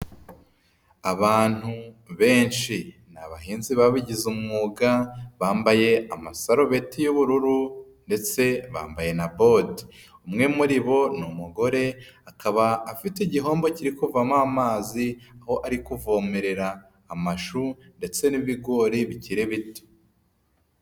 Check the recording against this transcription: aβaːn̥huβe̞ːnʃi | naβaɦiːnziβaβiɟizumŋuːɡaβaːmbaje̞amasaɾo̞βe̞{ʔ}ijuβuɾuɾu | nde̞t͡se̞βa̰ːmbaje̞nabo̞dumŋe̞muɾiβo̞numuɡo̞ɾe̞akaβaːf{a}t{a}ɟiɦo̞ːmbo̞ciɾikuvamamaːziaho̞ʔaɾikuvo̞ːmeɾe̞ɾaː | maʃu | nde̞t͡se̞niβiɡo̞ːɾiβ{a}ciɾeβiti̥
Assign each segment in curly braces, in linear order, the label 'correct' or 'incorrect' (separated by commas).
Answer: incorrect, incorrect, incorrect, incorrect